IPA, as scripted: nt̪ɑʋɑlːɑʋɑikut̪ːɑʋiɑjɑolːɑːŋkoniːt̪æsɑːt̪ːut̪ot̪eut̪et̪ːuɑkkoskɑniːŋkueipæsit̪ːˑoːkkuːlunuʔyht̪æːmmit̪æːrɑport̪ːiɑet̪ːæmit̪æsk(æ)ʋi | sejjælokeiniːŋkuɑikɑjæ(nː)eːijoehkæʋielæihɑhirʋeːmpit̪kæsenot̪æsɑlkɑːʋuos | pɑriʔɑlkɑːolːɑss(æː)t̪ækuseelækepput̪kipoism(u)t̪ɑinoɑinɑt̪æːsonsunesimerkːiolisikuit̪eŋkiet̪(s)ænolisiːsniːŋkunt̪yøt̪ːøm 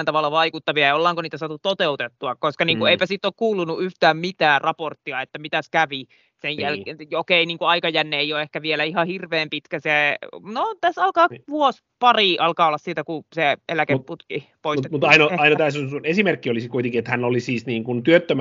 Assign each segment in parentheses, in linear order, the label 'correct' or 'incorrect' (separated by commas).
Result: correct, correct, incorrect, correct, incorrect